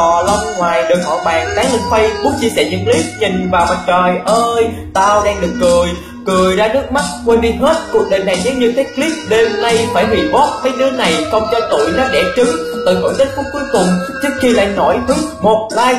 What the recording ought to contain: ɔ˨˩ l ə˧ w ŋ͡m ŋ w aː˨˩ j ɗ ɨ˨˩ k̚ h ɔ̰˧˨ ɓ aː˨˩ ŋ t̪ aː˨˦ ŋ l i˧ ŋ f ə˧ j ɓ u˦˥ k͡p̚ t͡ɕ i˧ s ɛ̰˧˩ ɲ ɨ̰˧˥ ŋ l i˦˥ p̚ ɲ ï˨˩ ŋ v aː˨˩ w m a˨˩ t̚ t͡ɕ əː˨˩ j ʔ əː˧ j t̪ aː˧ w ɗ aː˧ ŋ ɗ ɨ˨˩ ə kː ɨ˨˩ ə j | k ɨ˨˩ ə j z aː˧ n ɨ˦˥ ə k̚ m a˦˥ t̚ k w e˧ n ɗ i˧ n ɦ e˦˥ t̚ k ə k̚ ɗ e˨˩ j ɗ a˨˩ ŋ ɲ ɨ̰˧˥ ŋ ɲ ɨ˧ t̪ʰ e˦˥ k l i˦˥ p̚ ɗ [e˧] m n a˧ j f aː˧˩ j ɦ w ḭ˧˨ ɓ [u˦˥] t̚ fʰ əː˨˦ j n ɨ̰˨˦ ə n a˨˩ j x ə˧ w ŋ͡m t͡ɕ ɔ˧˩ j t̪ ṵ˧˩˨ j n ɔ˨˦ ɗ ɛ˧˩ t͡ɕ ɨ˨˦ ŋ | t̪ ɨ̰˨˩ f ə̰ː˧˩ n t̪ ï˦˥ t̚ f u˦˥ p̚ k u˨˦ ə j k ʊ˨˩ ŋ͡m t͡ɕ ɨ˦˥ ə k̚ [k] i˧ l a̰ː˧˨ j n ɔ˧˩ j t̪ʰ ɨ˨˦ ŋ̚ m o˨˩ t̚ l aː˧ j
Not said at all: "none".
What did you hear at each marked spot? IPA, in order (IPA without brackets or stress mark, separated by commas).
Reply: e˧, ɔ˦˥, x